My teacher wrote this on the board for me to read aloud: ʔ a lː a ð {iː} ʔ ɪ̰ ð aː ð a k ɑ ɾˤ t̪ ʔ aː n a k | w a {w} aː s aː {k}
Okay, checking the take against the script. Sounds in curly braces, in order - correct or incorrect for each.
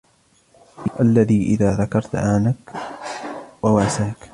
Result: correct, correct, correct

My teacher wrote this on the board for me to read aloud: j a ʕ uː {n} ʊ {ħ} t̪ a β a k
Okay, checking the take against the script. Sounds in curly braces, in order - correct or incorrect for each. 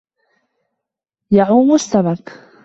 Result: incorrect: m, incorrect: s

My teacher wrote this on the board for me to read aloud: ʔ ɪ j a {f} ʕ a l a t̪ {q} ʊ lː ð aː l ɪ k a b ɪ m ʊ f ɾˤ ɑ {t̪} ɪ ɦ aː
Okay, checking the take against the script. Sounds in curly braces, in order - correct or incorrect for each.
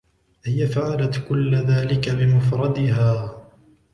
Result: correct, incorrect: k, incorrect: d̪

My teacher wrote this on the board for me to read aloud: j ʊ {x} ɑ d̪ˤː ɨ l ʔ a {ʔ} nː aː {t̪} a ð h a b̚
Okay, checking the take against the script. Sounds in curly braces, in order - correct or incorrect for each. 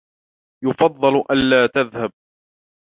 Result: incorrect: f, incorrect: none, correct

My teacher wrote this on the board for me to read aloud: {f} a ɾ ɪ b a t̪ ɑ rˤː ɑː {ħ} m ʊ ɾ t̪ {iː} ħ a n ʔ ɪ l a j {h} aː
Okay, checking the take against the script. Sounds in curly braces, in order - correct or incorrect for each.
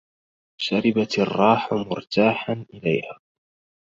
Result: incorrect: ʃ, correct, incorrect: aː, correct

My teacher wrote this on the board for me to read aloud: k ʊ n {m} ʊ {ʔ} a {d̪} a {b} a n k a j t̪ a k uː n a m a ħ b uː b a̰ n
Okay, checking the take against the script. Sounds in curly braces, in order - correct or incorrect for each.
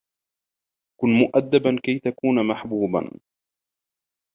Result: correct, correct, incorrect: d̪ː, correct

